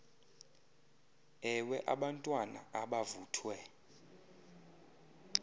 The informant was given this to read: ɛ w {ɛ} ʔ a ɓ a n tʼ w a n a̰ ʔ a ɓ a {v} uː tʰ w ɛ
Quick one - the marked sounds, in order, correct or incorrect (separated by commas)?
correct, correct